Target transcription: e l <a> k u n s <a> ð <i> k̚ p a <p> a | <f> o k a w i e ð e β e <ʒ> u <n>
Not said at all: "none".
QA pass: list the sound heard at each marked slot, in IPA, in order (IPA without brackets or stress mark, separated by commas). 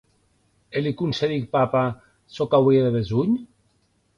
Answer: i, e, i, p, s, z, ɲ